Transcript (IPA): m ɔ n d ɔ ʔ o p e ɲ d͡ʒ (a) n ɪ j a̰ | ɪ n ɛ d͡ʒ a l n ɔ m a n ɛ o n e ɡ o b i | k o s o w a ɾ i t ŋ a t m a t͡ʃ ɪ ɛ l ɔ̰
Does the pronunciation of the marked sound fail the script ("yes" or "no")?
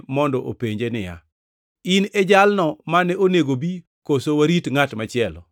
yes